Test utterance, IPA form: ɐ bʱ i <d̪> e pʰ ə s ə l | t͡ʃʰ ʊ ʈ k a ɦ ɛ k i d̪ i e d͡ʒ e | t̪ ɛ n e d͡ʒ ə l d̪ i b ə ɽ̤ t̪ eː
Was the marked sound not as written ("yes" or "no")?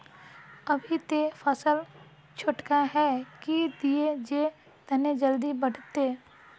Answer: yes